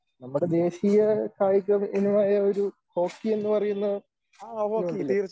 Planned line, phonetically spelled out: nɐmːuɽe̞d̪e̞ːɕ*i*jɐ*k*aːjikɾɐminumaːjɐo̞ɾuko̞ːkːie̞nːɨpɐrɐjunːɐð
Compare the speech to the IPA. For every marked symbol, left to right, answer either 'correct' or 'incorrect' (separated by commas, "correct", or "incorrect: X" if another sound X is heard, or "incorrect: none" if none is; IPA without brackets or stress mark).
correct, correct